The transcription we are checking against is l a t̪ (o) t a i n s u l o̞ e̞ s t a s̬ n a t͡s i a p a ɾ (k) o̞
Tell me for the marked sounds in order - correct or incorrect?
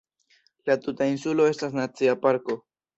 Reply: incorrect: u, correct

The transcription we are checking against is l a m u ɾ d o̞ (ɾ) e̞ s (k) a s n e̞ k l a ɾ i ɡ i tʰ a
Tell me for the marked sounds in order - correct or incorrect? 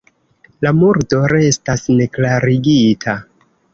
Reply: correct, incorrect: t

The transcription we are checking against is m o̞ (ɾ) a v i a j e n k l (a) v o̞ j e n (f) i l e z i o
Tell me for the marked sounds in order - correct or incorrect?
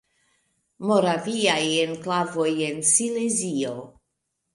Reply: correct, correct, incorrect: s

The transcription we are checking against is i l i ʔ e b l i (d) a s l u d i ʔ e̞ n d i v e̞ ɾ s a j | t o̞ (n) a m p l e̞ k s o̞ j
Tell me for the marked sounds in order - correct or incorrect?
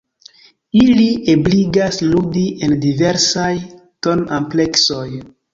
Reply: incorrect: ɡ, correct

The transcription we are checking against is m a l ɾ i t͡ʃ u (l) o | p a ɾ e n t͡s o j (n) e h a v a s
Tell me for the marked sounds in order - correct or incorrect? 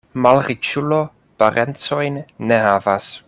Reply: correct, incorrect: nː

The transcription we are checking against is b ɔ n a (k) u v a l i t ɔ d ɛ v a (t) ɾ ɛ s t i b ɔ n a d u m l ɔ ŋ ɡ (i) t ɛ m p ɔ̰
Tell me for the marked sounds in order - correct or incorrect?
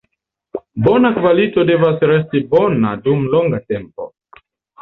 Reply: correct, incorrect: s, incorrect: a

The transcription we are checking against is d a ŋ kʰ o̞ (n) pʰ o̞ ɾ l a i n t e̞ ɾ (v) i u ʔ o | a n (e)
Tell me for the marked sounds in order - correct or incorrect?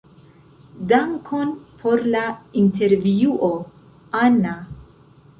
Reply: correct, correct, incorrect: a

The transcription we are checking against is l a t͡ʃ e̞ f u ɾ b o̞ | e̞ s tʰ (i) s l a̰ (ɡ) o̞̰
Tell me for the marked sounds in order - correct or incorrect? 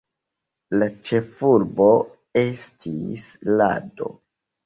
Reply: correct, incorrect: d

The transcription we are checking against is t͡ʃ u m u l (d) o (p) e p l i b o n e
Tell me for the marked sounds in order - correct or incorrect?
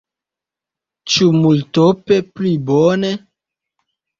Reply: incorrect: t, correct

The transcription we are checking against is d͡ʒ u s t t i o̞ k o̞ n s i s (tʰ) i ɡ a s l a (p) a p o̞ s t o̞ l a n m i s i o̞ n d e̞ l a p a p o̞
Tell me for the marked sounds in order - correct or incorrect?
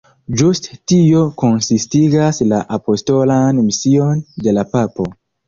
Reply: incorrect: t, incorrect: ʔ

